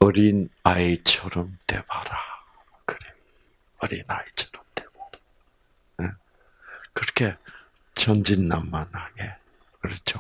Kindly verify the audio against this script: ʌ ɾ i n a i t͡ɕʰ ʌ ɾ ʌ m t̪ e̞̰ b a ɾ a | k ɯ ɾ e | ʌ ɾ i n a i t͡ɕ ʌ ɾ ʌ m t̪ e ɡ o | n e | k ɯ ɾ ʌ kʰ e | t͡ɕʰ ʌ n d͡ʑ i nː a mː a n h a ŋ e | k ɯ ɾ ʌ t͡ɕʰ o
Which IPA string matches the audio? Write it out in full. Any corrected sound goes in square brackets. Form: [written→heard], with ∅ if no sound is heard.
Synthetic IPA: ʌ ɾ i n a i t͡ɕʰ ʌ ɾ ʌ m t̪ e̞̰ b a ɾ a | k ɯ ɾ e | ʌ ɾ i n a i [t͡ɕ→t͡ɕʰ] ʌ ɾ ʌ m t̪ e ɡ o | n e | k ɯ ɾ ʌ kʰ e | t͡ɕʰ ʌ n d͡ʑ i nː a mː a n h a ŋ e | k ɯ ɾ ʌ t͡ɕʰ o